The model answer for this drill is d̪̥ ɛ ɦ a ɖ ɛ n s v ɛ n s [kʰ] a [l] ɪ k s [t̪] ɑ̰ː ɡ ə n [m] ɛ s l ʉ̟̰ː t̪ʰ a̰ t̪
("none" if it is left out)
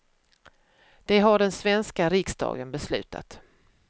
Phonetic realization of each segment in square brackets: k, ɾ, d̪, b

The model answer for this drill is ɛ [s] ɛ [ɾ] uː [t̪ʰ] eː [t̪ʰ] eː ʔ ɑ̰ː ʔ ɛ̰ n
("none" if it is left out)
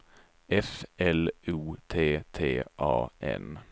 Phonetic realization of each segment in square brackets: f, l, t̪ʰ, t̪ʰ

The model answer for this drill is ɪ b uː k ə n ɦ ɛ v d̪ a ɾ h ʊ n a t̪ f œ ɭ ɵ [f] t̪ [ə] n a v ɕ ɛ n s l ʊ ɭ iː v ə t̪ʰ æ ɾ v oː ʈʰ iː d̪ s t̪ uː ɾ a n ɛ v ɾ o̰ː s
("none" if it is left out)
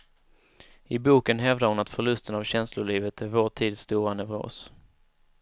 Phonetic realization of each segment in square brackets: s, ə

